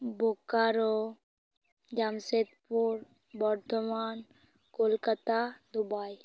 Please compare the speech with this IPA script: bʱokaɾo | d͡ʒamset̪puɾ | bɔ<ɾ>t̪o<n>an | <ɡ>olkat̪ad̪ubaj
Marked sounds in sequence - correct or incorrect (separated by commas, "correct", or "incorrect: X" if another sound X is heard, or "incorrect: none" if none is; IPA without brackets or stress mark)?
correct, incorrect: m, incorrect: k